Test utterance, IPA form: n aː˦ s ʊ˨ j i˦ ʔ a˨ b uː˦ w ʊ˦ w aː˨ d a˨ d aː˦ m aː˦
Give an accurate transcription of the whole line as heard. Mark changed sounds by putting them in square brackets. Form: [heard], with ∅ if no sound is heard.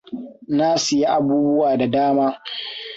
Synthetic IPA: n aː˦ s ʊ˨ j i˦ ʔ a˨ b uː˦ [b] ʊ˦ w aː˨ d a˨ d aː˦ m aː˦